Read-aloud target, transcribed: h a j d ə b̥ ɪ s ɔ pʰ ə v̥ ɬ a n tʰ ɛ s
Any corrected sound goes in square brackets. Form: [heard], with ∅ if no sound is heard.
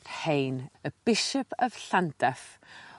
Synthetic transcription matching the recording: h [e] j [n] ə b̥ ɪ [ʃ] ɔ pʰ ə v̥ ɬ a n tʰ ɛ [f]